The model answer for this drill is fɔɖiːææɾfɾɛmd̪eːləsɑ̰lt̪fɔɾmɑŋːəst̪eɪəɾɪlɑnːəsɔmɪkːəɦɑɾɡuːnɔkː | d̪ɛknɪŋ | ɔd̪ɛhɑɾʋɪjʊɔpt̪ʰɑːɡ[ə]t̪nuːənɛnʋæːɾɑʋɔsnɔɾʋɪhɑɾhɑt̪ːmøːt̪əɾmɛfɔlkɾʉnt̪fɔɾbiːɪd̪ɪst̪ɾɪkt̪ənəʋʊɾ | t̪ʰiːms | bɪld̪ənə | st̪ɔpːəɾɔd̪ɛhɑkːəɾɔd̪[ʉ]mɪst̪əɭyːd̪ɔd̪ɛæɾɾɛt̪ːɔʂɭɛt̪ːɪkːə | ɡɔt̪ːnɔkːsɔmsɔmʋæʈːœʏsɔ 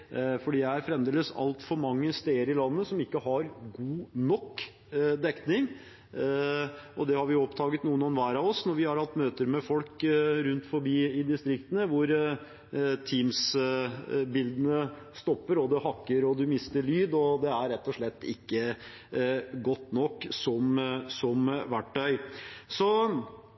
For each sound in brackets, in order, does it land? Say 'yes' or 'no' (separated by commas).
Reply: yes, yes